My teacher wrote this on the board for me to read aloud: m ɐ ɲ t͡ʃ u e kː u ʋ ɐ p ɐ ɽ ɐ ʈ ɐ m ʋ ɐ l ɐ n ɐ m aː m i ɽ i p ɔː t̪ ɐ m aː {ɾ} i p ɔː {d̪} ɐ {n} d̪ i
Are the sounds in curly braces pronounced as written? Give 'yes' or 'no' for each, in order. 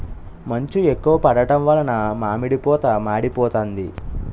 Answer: no, no, yes

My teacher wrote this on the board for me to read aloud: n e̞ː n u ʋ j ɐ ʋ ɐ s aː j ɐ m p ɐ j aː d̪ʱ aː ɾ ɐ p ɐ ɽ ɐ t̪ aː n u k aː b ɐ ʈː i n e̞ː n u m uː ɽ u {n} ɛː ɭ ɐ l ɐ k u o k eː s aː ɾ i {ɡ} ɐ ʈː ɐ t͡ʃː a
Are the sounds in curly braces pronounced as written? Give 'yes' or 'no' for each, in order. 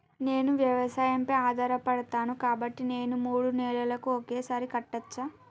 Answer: yes, no

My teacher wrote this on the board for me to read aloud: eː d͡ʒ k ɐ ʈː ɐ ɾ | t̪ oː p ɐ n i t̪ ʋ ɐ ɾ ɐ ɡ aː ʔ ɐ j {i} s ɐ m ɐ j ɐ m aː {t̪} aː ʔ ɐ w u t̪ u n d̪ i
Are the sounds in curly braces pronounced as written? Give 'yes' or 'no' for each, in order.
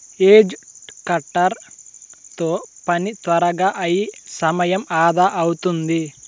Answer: yes, no

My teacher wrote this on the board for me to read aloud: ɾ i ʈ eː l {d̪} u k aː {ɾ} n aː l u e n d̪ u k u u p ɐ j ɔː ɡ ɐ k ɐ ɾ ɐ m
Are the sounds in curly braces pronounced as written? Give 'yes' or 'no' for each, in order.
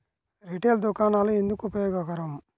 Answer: yes, no

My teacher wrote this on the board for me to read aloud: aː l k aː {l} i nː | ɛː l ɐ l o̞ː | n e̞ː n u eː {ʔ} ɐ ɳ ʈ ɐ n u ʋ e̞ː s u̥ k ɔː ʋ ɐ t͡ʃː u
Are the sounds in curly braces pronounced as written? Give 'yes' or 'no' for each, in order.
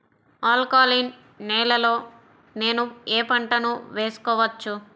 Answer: yes, no

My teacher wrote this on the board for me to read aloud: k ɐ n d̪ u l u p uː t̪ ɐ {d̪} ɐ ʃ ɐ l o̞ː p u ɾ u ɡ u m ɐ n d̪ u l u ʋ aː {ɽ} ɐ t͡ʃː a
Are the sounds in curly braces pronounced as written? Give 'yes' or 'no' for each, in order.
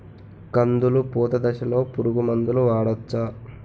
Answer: yes, yes

